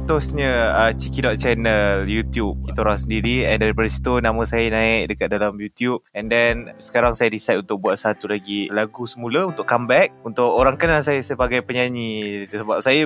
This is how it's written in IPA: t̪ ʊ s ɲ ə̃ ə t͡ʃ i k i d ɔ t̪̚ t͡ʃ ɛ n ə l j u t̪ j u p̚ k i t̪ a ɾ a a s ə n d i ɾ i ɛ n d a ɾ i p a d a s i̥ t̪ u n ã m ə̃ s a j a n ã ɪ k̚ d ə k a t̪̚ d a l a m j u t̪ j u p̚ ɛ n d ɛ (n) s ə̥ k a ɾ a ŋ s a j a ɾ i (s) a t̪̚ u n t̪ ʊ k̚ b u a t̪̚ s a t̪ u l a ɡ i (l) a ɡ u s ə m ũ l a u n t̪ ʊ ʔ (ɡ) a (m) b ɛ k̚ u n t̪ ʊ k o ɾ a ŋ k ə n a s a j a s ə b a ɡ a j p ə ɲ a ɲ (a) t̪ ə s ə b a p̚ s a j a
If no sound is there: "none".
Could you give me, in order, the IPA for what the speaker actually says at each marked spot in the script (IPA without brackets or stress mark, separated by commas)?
n, s, l, k, m, i